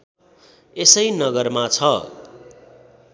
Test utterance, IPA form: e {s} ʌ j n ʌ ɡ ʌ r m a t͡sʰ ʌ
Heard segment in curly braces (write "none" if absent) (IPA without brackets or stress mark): s